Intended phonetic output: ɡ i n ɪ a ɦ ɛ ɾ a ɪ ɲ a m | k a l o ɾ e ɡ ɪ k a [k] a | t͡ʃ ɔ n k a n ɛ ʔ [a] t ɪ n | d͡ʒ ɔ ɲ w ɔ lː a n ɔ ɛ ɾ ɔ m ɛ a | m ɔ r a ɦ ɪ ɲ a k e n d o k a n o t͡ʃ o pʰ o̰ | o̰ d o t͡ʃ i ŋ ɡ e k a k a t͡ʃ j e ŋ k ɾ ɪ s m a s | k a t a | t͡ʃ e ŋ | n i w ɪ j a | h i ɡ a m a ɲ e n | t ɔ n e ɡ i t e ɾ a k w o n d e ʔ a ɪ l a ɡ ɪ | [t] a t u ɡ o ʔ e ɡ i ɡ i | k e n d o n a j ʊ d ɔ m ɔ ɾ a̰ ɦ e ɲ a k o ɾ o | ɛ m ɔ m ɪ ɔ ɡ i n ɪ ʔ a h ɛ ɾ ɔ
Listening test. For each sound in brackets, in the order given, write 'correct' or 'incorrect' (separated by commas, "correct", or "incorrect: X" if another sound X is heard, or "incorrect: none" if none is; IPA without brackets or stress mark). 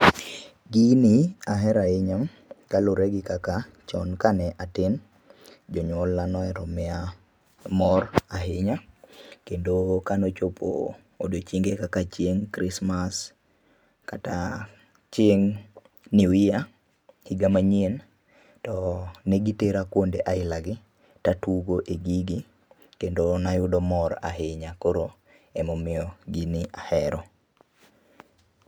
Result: correct, correct, correct